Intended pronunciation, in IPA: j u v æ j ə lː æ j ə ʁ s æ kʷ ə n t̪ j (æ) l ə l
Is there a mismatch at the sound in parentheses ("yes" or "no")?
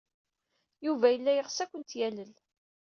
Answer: no